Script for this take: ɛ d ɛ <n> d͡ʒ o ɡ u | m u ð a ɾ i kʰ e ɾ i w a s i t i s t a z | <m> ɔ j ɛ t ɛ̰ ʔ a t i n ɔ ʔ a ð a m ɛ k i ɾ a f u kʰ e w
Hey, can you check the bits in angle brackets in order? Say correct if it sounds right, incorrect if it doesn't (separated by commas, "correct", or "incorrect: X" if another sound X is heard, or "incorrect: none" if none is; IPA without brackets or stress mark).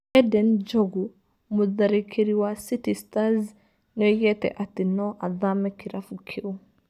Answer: correct, incorrect: n